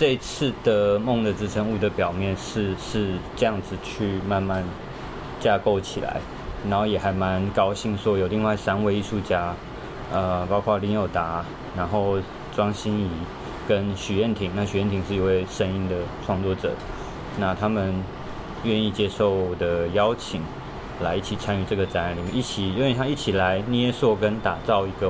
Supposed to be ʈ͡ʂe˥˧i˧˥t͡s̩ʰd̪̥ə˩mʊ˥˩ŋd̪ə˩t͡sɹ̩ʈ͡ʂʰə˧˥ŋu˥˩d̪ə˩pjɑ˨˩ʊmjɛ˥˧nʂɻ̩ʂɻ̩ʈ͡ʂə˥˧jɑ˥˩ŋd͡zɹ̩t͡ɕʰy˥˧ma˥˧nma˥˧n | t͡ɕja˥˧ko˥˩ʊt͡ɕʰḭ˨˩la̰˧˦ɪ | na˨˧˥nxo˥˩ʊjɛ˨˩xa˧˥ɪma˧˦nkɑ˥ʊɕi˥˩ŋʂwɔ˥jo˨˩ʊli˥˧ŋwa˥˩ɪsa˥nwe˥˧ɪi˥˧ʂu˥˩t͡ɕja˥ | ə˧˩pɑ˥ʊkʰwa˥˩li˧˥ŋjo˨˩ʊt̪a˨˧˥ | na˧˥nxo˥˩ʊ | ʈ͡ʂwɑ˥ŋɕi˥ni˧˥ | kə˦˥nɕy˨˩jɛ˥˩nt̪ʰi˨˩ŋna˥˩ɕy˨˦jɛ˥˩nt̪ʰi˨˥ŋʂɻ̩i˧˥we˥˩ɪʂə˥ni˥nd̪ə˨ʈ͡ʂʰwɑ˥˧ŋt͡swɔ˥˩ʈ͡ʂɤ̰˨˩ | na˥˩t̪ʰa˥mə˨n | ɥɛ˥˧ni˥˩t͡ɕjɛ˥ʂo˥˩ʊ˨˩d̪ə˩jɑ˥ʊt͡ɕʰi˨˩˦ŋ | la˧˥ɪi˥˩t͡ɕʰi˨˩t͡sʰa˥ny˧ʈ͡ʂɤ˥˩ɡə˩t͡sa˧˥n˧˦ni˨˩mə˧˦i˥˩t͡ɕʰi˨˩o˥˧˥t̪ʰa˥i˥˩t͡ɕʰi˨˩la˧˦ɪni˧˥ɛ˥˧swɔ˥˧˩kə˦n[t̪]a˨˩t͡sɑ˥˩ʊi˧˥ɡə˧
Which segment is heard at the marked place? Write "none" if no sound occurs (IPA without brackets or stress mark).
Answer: t̪